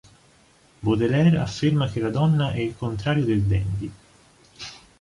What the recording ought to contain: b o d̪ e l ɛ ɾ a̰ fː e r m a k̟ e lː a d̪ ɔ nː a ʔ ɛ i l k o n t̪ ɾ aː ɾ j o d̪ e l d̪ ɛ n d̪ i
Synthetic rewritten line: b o d̪ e l ɛ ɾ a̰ fː e r m a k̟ e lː a d̪ ɔ nː a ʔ ɛ i l k o n t̪ ɾ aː ɾ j o d̪ e l d̪ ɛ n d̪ i